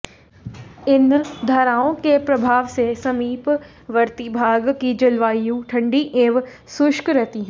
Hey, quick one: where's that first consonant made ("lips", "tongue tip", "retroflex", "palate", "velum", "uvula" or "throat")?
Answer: tongue tip